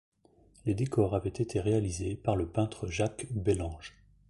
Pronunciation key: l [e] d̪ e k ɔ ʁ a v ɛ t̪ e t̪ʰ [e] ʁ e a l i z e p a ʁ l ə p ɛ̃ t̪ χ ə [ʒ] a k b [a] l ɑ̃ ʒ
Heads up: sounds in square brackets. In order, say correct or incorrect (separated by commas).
correct, correct, correct, incorrect